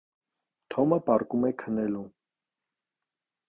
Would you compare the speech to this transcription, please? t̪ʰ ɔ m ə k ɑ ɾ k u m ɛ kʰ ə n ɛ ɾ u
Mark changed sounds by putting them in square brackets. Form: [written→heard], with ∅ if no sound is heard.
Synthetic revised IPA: t̪ʰ ɔ m ə [k→p] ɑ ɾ k u m ɛ kʰ ə n ɛ [ɾ→l] u